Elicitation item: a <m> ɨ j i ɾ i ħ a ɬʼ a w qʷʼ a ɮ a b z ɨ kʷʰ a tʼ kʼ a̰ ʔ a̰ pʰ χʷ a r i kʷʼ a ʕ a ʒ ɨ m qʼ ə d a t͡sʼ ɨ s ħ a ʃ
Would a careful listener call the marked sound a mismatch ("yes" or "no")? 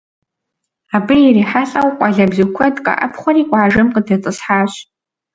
yes